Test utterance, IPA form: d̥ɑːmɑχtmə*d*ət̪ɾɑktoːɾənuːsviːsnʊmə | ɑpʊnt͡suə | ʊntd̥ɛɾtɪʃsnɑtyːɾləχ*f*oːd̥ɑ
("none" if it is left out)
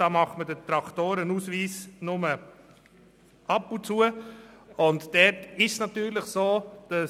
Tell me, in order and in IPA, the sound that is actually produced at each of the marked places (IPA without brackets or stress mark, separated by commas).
d, s